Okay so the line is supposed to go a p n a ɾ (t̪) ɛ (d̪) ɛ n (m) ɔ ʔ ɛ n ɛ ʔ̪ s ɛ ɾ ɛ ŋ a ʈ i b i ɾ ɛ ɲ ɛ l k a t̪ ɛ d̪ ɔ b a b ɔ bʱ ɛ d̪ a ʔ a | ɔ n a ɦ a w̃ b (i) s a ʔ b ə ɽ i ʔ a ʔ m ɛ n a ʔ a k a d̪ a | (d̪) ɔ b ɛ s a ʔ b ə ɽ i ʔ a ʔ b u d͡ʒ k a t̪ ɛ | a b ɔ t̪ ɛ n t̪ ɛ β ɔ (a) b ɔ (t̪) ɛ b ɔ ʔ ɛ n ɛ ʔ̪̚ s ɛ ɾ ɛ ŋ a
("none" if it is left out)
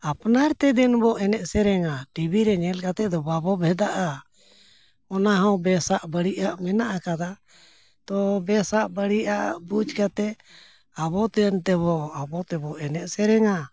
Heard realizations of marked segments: t̪, d̪, b, ɛ, t̪, a, t̪

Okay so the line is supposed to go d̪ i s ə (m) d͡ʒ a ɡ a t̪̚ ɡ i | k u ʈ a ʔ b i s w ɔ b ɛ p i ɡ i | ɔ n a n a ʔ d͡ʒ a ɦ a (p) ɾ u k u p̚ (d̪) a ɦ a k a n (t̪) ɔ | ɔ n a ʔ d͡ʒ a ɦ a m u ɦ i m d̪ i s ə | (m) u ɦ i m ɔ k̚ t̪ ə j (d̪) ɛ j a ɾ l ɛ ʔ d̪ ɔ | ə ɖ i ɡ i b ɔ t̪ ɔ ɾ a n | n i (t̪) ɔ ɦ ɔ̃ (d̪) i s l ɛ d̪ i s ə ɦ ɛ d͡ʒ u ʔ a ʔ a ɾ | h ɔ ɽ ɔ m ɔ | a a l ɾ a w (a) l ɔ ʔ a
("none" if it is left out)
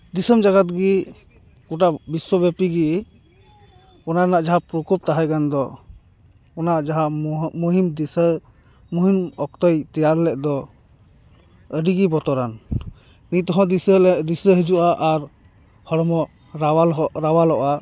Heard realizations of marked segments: m, p, t̪, d̪, m, t̪, t̪, d̪, a

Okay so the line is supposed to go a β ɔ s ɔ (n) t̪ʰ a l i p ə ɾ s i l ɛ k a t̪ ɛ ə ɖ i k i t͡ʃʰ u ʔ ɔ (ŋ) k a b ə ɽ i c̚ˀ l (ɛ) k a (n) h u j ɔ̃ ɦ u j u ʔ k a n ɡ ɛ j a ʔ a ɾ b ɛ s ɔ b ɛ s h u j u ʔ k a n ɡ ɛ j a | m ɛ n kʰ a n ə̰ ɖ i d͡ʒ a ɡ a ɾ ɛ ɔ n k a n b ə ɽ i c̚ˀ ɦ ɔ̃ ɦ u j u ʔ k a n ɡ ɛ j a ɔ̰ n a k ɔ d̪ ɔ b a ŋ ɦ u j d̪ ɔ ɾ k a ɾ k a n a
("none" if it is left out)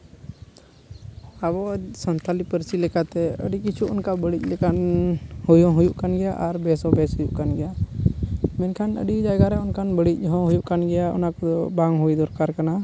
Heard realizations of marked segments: n, n, ɛ, n

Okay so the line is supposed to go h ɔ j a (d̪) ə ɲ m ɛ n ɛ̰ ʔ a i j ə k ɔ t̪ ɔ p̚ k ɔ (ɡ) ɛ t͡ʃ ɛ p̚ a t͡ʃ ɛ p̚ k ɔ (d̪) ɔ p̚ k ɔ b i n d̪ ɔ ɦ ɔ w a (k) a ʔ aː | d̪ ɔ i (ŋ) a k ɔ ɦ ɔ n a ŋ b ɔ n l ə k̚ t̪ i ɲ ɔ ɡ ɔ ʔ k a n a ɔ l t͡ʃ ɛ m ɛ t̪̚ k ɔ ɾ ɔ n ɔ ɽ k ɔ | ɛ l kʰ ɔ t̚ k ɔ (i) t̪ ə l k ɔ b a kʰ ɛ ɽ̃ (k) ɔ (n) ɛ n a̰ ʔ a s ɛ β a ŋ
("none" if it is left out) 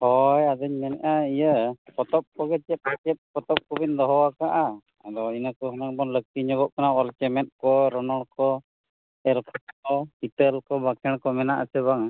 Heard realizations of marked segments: d̪, ɡ, t̪, k, n, i, k, m

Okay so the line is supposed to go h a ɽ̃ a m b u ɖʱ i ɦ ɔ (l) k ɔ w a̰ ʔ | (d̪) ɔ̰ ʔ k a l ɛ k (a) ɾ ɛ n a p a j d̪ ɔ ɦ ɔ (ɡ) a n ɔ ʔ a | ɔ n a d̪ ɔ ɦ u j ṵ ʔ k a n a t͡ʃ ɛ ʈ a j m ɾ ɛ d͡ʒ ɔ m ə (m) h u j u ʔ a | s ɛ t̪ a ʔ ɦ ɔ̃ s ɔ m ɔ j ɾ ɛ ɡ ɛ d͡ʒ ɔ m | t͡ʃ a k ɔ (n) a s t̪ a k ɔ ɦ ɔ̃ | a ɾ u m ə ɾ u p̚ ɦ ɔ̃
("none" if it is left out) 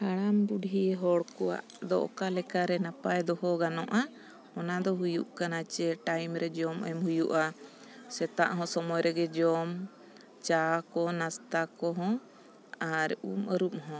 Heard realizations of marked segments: ɽ, d̪, a, ɡ, m, n

